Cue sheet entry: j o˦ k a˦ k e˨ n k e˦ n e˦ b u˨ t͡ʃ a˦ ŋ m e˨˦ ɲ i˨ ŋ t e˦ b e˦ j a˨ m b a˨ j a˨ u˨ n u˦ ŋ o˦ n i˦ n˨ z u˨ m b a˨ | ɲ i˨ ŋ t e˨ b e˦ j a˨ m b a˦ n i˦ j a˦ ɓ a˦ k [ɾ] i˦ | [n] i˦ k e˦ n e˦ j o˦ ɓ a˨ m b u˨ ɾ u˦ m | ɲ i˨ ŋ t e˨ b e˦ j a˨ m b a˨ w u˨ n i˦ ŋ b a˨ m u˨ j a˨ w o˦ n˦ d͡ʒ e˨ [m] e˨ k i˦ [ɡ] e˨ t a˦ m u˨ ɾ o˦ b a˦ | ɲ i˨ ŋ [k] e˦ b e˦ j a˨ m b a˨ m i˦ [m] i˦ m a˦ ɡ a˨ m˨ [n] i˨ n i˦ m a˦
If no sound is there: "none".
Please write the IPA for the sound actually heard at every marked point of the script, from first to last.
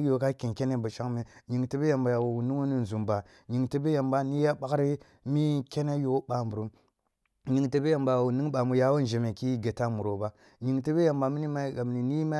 ɾ, m, m, ɡ, t, n, n

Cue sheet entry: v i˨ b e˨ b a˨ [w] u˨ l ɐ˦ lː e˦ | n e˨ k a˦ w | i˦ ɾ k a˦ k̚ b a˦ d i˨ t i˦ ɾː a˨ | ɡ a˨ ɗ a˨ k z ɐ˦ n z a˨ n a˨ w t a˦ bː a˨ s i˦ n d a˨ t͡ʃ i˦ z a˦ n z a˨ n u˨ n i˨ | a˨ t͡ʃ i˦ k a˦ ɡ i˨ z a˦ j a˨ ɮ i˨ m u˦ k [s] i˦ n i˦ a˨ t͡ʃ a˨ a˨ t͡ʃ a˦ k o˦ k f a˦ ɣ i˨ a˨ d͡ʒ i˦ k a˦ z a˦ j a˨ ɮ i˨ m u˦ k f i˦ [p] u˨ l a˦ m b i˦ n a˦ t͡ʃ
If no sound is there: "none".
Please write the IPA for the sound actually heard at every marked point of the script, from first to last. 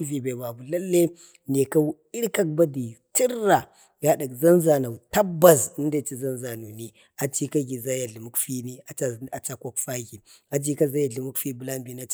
b, f, b

